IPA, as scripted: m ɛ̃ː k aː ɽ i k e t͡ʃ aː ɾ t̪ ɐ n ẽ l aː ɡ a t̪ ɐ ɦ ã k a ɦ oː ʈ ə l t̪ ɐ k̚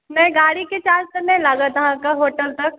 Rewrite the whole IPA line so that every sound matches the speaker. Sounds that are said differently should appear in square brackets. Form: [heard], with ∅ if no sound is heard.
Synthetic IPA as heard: m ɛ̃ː [ɡ] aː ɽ i k e t͡ʃ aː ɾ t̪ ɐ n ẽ l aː ɡ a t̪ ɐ ɦ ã k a ɦ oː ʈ ə l t̪ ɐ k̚